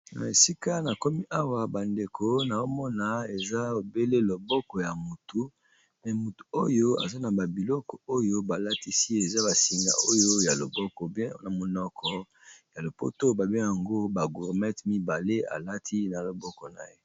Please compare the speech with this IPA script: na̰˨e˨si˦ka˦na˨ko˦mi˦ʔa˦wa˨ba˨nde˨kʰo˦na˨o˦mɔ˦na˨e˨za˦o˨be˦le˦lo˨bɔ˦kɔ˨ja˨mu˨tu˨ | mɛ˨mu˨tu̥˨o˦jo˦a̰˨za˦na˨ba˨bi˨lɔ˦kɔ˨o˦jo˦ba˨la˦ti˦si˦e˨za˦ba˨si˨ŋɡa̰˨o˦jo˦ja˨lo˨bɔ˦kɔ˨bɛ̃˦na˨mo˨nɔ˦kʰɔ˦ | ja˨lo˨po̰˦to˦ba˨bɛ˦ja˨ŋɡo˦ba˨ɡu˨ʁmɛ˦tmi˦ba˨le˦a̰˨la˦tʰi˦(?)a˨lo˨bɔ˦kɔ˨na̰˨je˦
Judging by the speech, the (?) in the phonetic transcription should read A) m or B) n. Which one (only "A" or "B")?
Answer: B